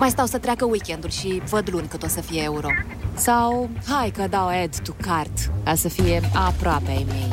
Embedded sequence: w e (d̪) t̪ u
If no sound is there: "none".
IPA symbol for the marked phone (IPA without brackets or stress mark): d̪